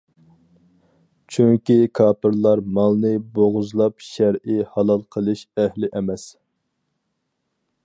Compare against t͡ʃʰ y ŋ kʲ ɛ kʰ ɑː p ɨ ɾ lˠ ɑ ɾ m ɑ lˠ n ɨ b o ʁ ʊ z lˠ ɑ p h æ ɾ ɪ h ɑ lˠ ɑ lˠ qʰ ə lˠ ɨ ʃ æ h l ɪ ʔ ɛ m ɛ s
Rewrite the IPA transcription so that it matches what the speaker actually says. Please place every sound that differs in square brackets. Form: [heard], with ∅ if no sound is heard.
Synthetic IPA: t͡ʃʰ y ŋ kʲ [i] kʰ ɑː p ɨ ɾ lˠ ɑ ɾ m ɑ lˠ n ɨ b o ʁ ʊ z lˠ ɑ p [ʃ] æ ɾ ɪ h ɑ lˠ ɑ lˠ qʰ ə lˠ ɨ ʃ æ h l ɪ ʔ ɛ m ɛ s